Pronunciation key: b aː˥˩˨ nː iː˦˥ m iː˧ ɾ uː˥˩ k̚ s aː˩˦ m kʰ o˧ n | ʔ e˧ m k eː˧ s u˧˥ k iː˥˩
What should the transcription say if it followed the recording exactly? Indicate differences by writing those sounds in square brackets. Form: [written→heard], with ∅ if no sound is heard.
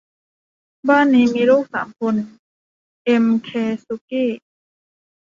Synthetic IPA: b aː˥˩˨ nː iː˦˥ m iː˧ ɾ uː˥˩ k̚ s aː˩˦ m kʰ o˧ n | ʔ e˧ m [k→kʰ] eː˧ s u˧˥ k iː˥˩